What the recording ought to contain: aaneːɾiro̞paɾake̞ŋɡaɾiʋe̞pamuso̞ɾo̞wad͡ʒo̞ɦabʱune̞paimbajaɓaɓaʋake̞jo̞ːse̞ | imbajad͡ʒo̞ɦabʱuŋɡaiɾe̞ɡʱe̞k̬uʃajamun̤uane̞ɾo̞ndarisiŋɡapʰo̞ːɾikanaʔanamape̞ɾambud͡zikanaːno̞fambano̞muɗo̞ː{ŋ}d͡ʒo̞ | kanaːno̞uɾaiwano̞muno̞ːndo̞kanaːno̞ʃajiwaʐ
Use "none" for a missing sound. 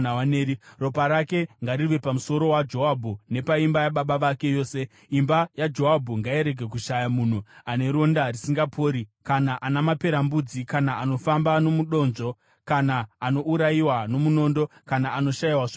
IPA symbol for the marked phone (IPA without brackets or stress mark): n